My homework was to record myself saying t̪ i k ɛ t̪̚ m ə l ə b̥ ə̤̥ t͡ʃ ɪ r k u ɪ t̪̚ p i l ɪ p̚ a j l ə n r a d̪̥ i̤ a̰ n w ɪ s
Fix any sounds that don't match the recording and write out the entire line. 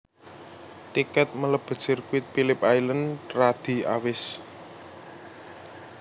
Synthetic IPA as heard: t̪ i k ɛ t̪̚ m ə l ə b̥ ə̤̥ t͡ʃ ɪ r k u ɪ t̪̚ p i l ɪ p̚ a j l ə n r a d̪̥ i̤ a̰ w ɪ s